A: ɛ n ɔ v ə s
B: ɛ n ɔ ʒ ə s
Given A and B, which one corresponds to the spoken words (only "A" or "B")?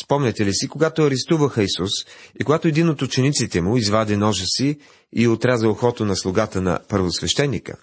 B